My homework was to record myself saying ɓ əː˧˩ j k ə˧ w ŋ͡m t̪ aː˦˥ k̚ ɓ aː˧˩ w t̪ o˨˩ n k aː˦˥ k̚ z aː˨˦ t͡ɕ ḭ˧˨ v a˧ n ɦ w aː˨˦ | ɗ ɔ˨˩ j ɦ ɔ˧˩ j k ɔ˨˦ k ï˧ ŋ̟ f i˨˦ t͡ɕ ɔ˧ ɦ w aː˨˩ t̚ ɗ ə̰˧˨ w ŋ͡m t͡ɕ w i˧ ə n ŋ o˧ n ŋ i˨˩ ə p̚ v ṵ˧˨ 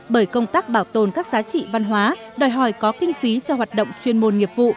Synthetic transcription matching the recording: ɓ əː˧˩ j k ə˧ w ŋ͡m t̪ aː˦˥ k̚ ɓ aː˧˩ w t̪ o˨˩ n k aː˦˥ k̚ z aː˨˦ t͡ɕ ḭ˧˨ v a˧ n ɦ w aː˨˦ | ɗ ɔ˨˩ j ɦ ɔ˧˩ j k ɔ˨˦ k ï˧ ŋ̟ f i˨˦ t͡ɕ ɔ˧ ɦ w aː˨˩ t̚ ɗ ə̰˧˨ w ŋ͡m t͡ɕ w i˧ ə n m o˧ n ŋ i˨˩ ə p̚ v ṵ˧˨